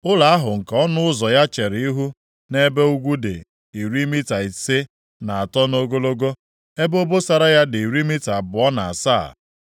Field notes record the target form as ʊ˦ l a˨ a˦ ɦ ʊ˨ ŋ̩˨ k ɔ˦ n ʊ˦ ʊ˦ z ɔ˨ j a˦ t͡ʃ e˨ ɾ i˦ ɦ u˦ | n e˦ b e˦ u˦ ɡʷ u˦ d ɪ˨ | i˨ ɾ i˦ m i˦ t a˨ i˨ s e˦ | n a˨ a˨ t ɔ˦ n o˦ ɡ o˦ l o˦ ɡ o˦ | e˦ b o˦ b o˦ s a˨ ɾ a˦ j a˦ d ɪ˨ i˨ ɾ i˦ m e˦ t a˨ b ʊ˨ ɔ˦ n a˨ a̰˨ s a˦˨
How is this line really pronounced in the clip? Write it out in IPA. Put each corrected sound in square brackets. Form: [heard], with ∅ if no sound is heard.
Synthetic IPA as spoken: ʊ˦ l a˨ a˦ ɦ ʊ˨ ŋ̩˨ k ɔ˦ n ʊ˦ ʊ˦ z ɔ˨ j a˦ t͡ʃ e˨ ɾ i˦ ɦ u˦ | n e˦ b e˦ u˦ ɡʷ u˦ d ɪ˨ | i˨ ɾ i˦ m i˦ t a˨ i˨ s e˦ | n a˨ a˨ t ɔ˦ n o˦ ɡ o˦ l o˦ ɡ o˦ | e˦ b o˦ b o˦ s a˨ ɾ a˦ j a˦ d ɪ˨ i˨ ɾ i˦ m [i˦] t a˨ b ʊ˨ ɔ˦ n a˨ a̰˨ s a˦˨